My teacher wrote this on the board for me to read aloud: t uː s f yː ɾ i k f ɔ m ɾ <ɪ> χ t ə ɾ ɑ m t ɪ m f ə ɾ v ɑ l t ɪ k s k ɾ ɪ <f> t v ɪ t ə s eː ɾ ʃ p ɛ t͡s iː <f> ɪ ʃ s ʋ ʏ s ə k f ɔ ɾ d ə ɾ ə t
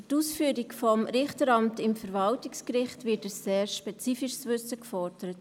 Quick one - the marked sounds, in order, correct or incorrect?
correct, incorrect, correct

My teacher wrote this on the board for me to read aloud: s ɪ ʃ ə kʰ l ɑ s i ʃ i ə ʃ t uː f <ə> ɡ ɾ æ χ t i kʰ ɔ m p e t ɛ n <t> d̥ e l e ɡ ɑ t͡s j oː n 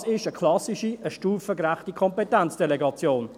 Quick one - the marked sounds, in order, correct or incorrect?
correct, incorrect

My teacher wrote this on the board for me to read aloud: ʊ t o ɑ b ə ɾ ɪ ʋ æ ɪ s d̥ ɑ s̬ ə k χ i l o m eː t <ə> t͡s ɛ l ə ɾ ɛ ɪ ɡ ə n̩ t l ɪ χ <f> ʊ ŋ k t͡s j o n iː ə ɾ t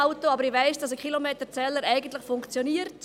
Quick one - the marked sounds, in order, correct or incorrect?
correct, correct

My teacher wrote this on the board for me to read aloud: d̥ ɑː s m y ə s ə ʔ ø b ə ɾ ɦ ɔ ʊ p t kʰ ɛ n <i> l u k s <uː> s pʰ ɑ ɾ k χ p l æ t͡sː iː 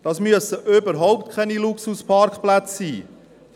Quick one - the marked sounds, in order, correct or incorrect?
correct, incorrect

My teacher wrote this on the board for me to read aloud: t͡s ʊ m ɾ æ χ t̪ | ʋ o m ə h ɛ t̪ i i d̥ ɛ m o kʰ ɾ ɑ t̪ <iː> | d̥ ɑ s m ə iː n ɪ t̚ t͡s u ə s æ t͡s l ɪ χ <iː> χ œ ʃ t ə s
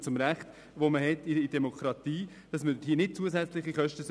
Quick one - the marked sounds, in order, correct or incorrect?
correct, incorrect

